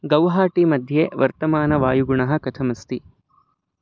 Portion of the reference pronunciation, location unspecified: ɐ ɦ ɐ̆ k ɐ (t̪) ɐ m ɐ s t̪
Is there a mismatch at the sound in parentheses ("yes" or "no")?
yes